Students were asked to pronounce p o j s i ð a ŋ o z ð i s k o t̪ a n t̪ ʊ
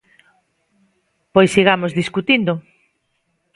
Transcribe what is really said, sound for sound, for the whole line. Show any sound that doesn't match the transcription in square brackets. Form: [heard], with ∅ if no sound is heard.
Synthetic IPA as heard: p o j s i [ɣ] a [m] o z ð i s k [u] t̪ [i] n [d̪] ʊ